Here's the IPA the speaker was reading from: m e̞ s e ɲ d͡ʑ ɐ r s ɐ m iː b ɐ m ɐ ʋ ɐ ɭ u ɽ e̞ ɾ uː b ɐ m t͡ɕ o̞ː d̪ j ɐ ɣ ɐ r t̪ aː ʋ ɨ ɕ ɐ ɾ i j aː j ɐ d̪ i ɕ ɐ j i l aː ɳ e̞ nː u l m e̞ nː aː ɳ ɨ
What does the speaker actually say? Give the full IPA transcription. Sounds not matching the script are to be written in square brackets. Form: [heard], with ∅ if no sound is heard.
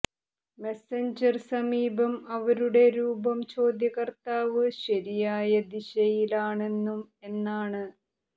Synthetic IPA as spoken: m e̞ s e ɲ d͡ʑ ɐ r s ɐ m iː b ɐ m ɐ ʋ ɐ [ɾ] u ɽ e̞ ɾ uː b ɐ m t͡ɕ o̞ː d̪ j ɐ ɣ ɐ r t̪ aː ʋ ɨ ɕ ɐ ɾ i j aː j ɐ d̪ i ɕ ɐ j i l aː ɳ e̞ nː u [∅] m e̞ nː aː ɳ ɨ